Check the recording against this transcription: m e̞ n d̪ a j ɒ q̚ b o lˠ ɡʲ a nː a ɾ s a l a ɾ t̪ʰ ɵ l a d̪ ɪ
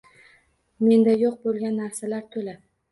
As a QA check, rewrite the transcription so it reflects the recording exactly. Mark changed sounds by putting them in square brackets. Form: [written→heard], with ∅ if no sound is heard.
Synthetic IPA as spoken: m e̞ n d̪ a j [ɒ→o] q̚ b o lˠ ɡʲ a nː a ɾ s a l a ɾ t̪ʰ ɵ l a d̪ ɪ

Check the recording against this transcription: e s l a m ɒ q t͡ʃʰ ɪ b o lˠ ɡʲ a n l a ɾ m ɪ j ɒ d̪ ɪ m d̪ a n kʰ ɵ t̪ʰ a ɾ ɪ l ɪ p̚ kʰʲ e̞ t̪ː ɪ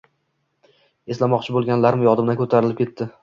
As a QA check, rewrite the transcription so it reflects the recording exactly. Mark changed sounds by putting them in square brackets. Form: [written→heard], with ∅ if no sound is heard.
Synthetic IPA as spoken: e s l a m ɒ q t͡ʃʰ ɪ b o lˠ ɡʲ a n l a ɾ m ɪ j ɒ d̪ ɪ m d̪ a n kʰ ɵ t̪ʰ a ɾ ɪ l ɪ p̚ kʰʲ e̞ t̪ː ɪ

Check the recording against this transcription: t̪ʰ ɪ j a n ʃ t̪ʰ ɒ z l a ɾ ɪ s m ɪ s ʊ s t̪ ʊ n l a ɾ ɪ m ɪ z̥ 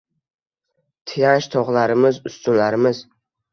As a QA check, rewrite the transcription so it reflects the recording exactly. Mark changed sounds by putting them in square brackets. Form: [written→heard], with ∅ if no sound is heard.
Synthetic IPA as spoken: t̪ʰ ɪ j a n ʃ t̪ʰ ɒ [z→ʁ] l a ɾ ɪ [s→∅] m ɪ [s→z] ʊ s t̪ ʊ n l a ɾ ɪ m ɪ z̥

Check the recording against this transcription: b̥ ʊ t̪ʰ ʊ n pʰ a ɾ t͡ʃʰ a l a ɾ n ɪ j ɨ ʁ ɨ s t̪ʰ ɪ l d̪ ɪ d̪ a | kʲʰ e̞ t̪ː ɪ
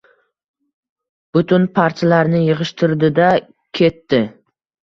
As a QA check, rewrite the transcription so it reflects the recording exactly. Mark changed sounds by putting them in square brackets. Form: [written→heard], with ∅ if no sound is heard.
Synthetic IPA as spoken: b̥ ʊ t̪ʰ ʊ n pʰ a ɾ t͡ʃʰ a l a ɾ n ɪ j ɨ ʁ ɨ [s→ʃ] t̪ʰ ɪ [l→ɾ] d̪ ɪ d̪ a | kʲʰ e̞ t̪ː ɪ

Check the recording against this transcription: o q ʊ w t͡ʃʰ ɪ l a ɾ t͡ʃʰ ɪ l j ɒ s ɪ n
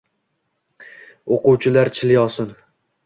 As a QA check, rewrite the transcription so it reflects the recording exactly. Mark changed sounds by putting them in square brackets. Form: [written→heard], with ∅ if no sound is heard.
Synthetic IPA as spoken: o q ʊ w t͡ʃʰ ɪ l a ɾ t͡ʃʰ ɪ l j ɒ s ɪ n

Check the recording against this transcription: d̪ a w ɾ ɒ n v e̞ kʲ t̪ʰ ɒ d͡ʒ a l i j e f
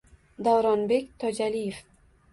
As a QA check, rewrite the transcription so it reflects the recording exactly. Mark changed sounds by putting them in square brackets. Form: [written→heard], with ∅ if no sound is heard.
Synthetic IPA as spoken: d̪ a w ɾ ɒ n [v→b] e̞ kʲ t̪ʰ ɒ d͡ʒ a l i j e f

